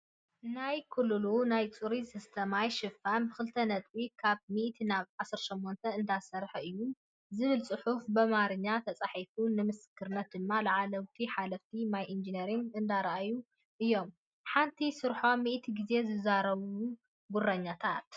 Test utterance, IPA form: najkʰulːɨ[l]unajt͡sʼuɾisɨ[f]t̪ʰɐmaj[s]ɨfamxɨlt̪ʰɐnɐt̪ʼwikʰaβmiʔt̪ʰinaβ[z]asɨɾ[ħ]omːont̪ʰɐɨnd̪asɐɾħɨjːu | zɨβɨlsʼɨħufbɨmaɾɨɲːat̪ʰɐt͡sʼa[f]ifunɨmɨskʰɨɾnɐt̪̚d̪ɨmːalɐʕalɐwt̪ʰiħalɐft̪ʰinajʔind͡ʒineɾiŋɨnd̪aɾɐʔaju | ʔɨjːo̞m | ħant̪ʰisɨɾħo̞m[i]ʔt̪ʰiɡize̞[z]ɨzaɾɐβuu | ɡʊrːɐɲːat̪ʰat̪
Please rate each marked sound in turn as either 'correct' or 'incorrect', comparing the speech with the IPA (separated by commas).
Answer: correct, incorrect, incorrect, incorrect, incorrect, incorrect, correct, correct